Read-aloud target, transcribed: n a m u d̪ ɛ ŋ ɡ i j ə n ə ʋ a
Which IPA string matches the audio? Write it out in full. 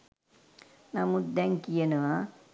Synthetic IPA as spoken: n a m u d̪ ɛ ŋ k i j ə n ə ʋ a